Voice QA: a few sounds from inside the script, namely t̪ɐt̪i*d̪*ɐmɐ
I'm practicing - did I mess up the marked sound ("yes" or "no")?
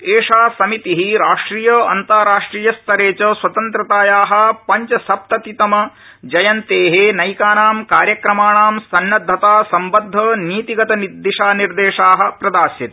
yes